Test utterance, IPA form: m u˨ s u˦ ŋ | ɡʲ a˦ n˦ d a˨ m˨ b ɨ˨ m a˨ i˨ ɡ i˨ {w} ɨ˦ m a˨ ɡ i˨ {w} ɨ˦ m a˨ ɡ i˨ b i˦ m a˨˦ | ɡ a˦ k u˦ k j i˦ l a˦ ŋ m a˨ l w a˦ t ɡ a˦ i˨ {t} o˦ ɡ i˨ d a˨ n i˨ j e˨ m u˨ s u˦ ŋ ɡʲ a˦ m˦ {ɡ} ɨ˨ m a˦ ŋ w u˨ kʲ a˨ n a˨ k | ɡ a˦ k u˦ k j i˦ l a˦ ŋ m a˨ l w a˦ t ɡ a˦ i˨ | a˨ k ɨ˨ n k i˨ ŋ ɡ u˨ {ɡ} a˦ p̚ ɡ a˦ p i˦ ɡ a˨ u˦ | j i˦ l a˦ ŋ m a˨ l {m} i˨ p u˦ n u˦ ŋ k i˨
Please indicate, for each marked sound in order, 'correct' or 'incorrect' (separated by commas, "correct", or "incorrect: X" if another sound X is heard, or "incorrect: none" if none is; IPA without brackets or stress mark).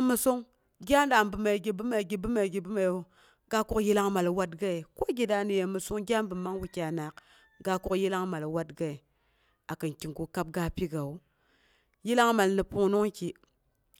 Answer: incorrect: b, incorrect: b, incorrect: k, incorrect: b, incorrect: k, incorrect: n